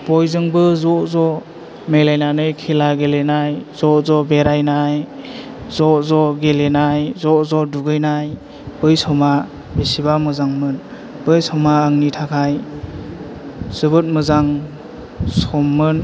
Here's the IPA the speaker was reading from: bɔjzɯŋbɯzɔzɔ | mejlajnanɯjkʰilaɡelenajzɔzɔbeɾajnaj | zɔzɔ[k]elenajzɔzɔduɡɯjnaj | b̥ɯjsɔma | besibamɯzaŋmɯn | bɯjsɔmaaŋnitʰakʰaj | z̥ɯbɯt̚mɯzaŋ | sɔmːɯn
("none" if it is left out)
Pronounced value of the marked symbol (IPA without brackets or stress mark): ɡ